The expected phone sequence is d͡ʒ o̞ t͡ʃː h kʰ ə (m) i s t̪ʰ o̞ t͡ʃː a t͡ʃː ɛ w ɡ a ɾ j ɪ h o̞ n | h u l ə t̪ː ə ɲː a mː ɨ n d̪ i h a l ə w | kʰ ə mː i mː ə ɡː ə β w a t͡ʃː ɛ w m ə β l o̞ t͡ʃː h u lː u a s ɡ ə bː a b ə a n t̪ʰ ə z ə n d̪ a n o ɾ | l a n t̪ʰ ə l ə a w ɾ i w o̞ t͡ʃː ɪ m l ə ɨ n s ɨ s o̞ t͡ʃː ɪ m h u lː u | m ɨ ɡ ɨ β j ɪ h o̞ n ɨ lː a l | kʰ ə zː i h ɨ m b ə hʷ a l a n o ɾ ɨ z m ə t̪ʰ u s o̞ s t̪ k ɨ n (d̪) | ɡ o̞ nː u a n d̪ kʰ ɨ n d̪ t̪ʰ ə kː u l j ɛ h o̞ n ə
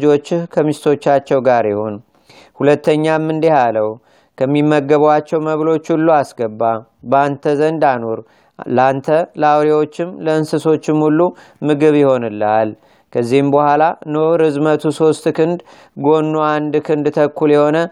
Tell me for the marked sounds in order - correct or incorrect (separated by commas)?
correct, correct